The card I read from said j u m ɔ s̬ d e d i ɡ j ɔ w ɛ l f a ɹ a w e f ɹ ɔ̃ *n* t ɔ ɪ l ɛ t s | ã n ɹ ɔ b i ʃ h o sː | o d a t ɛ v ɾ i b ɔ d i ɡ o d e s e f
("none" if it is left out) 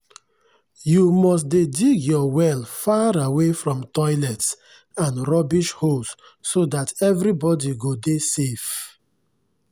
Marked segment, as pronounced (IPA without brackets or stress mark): m